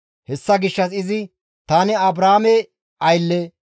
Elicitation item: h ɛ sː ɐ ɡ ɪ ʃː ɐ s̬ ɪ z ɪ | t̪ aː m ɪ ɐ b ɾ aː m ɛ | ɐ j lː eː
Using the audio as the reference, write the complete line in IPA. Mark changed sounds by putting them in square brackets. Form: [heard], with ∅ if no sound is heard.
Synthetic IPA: h ɛ sː ɐ ɡ ɪ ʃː ɐ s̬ ɪ z ɪ | t̪ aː [n] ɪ ɐ b ɾ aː m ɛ | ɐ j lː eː